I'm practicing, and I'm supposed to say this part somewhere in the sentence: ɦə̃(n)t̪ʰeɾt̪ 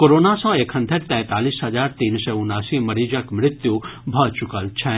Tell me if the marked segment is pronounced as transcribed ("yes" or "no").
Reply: yes